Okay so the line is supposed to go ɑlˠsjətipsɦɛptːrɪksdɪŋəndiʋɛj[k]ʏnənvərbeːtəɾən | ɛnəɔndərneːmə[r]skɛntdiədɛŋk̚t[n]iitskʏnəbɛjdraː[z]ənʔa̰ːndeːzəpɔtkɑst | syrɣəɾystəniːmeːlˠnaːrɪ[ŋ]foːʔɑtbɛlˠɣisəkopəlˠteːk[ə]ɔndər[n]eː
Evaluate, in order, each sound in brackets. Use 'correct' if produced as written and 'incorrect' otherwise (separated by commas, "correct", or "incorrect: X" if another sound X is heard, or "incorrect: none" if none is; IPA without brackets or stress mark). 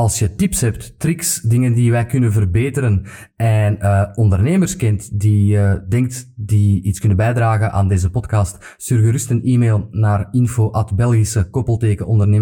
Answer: correct, correct, incorrect: d, incorrect: ɣ, incorrect: n, correct, correct